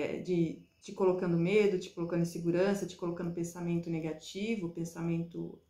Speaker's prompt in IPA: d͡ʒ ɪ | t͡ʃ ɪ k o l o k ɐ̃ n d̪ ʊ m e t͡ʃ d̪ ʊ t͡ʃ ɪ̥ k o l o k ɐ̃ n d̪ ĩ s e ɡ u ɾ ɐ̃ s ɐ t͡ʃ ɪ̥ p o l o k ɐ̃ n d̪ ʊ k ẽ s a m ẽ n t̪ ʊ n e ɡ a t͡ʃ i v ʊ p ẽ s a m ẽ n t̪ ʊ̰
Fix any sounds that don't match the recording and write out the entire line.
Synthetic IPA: d͡ʒ ɪ | t͡ʃ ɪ k o l o k ɐ̃ n d̪ ʊ m e d̪ ʊ t͡ʃ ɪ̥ k o l o k ɐ̃ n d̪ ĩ s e ɡ u ɾ ɐ̃ s ɐ t͡ʃ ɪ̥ k o l o k ɐ̃ n d̪ ʊ p ẽ s a m ẽ n t̪ ʊ n e ɡ a t͡ʃ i v ʊ p ẽ s a m ẽ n t̪ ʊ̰